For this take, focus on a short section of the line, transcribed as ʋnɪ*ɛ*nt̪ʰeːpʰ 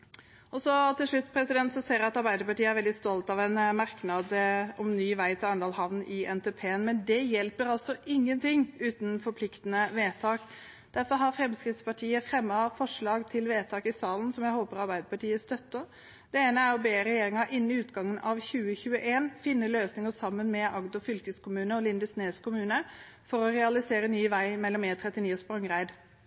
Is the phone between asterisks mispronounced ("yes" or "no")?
no